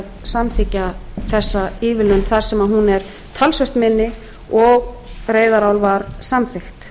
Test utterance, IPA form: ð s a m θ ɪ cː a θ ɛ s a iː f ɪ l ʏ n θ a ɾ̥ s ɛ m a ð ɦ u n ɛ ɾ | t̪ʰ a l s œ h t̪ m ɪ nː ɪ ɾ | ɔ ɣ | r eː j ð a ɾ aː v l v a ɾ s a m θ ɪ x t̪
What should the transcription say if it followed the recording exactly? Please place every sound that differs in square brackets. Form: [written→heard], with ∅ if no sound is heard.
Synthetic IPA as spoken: ð s a m θ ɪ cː a θ ɛ [s→sː] a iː [f→v] ɪ l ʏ n θ a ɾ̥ s ɛ m a ð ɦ u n ɛ ɾ | t̪ʰ a l s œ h t̪ m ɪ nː ɪ [ɾ→∅] | ɔ ɣ | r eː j ð a ɾ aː [v→w] l v a ɾ s a m θ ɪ x t̪